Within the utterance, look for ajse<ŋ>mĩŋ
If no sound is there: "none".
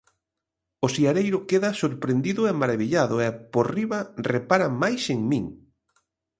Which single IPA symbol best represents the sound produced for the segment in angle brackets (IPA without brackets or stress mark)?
ŋ